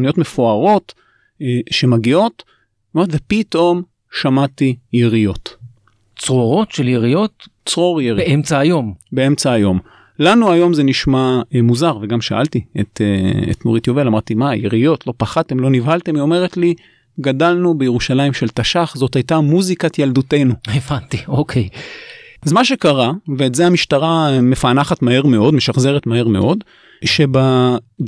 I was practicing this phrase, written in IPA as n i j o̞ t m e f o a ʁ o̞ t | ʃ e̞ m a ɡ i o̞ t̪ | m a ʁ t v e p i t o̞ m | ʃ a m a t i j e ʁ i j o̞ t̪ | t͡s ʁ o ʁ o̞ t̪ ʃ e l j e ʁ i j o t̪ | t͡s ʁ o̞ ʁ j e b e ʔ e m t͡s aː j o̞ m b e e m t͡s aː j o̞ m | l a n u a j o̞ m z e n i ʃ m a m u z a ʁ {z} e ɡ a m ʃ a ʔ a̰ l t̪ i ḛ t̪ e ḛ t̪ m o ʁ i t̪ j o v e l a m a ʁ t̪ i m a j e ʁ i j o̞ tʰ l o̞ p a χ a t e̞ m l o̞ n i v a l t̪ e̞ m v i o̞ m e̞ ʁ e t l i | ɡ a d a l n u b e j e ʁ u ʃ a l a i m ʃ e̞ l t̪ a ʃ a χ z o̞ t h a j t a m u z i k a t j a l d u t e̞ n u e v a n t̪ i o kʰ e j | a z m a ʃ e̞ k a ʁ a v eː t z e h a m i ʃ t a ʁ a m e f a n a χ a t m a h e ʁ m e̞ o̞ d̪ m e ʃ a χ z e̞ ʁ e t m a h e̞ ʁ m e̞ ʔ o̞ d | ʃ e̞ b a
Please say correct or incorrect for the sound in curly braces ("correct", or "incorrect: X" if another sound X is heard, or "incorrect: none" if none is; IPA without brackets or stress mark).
incorrect: v